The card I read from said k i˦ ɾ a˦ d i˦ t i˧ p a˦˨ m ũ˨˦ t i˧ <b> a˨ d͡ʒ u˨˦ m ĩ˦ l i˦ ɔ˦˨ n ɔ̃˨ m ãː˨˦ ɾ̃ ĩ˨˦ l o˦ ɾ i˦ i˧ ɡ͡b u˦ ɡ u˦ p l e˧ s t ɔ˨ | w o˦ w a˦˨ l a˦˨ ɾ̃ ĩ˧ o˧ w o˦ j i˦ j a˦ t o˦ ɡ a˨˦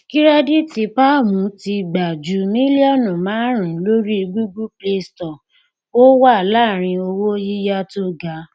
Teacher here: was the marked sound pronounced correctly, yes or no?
no